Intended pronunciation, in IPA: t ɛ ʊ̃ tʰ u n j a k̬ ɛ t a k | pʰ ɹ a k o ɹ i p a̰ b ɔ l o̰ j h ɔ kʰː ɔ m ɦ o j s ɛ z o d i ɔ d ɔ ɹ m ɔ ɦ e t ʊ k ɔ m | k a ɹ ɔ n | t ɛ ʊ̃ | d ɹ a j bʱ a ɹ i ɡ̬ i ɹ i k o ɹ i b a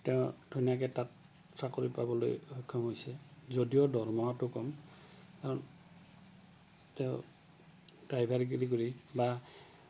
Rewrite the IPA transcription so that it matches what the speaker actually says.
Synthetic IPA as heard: t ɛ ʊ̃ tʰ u n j a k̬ ɛ t a t | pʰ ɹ a k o ɹ i p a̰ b ɔ l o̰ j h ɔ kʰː ɔ m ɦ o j s ɛ z o d i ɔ d ɔ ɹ m ɔ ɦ a t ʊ k ɔ m | k a ɹ ɔ n | t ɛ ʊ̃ | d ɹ a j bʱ a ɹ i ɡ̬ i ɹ i k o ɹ i b a